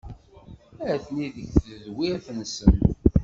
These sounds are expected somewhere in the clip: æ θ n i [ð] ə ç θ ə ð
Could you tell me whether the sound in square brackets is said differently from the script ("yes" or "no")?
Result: no